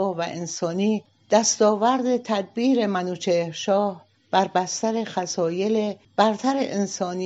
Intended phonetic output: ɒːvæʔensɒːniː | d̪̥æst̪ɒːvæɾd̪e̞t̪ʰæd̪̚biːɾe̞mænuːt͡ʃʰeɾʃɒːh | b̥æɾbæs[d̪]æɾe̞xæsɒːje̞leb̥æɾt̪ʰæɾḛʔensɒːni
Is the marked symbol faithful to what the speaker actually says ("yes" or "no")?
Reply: no